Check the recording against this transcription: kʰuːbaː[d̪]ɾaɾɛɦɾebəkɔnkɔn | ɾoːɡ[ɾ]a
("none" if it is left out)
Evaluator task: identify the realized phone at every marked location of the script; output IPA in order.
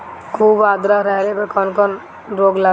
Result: d̪, l

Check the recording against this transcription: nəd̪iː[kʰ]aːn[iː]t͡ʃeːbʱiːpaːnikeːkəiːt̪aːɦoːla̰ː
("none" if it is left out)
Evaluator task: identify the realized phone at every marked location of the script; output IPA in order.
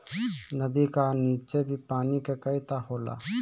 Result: k, iː

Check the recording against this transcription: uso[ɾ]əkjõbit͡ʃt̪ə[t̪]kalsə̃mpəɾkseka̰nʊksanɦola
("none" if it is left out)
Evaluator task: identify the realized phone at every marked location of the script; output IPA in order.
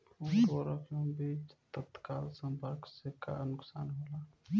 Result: ɾ, t̪

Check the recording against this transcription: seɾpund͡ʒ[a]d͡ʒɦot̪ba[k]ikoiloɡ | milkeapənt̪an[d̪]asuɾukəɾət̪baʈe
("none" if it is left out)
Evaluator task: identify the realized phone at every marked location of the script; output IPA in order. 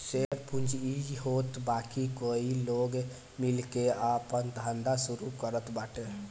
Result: i, k, d̪

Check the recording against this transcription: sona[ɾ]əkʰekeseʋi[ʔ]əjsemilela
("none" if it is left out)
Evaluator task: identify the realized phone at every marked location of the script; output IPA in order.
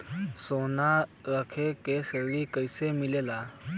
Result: ɾ, k

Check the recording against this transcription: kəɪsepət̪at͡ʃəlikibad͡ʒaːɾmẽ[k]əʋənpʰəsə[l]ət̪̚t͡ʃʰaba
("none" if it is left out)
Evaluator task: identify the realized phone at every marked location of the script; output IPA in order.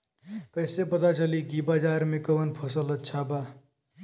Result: k, l

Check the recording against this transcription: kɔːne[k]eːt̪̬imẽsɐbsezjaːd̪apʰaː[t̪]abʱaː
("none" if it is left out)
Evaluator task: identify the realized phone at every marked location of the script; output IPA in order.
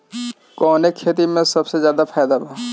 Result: kʰ, d̪

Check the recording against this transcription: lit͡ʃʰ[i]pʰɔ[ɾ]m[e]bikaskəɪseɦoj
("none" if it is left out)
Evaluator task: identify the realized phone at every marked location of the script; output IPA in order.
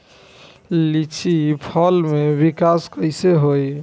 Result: i, l, e

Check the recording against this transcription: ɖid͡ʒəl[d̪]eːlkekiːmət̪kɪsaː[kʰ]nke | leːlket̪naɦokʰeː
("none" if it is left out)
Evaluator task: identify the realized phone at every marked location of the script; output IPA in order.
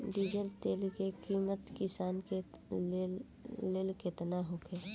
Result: t̪, none

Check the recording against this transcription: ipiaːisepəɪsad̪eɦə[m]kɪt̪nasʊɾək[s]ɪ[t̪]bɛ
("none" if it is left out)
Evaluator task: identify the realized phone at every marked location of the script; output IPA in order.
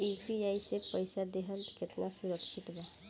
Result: n, ʃ, t̪

